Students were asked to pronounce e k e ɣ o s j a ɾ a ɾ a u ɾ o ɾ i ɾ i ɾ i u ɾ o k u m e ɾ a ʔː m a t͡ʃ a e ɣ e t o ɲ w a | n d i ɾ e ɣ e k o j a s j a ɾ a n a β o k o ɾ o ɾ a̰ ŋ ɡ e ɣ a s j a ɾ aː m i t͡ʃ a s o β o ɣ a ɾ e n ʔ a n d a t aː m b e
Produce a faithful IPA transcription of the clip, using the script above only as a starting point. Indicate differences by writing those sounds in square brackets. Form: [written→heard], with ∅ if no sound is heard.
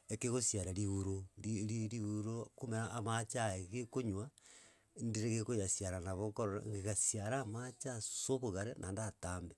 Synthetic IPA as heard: e k e ɣ o s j a ɾ a ɾ [a→i] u ɾ o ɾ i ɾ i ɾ i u ɾ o k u m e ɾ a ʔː m a t͡ʃ a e ɣ e [t→k] o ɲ w a | n d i ɾ e ɣ e k o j a s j a ɾ a n a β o k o ɾ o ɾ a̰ ŋ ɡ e ɣ a s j a ɾ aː m [i→a] t͡ʃ a s o β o ɣ a ɾ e n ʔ a n d a t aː m b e